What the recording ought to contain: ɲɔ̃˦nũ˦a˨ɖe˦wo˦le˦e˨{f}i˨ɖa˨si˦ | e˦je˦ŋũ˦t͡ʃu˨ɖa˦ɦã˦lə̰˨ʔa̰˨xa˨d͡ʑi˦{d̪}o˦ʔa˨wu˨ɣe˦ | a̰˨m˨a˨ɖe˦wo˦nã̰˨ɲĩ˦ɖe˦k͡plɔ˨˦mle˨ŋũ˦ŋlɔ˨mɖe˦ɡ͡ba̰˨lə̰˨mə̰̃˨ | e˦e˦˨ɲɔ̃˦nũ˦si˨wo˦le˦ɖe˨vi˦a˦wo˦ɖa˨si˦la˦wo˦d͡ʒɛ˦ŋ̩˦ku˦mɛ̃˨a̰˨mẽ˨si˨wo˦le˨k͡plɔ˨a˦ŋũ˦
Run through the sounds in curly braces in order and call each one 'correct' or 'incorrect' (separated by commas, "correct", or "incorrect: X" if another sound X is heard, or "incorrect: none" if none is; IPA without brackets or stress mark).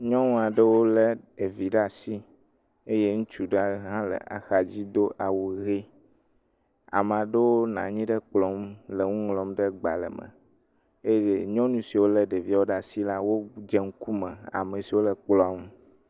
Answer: incorrect: v, correct